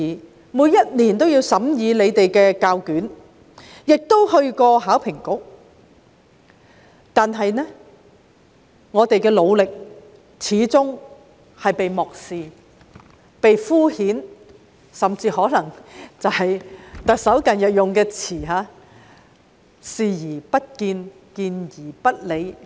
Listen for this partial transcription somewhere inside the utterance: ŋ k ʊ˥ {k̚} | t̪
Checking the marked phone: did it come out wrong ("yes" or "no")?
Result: no